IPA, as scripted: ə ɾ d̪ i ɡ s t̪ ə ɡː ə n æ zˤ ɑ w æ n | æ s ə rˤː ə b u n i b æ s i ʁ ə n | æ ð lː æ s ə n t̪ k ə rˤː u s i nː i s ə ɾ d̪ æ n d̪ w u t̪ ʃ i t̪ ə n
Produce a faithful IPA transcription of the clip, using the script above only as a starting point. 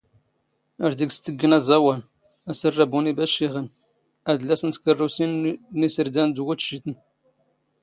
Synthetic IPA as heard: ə ɾ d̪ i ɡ s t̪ ə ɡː ə n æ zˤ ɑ w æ n | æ s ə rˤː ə b u n i b æ ʃ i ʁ ə n | æ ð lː æ s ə n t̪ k ə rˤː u s i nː i s ə ɾ d̪ æ n d̪ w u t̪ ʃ i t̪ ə n

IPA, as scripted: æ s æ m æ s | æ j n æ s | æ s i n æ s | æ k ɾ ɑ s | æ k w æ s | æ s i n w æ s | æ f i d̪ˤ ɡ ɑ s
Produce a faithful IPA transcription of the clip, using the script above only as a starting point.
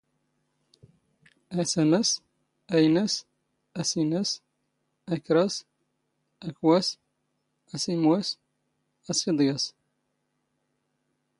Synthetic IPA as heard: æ s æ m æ s | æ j n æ s | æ s i n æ s | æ k ɾ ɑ s | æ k w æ s | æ s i m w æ s | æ s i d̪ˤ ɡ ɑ s

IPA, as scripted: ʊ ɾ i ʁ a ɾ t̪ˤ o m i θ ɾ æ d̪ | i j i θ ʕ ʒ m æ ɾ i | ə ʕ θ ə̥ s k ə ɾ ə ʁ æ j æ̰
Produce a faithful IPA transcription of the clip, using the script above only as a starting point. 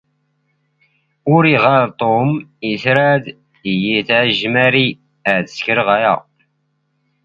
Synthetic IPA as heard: ʊ ɾ i ʁ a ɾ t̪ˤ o m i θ ɾ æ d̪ | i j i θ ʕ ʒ m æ ɾ i | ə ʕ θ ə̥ s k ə ɾ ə ʁ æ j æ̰

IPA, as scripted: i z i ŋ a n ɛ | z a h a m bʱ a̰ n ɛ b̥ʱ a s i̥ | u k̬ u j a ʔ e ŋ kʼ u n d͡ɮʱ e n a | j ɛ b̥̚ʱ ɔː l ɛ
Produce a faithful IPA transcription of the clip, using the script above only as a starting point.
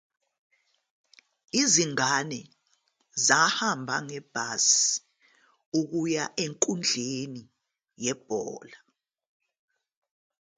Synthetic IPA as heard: i z i ŋ a n ɛ | z a h a m bʱ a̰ ŋ ɛ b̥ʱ a s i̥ | u k̬ u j a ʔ e ŋ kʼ u n d͡ɮʱ e n i | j ɛ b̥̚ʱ ɔː l a

